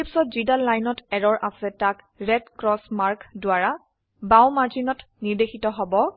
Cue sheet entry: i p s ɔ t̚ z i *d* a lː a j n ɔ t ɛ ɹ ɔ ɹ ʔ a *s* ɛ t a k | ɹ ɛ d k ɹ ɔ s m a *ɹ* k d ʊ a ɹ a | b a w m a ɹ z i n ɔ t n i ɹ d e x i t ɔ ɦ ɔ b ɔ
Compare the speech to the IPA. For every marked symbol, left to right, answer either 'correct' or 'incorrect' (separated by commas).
correct, correct, correct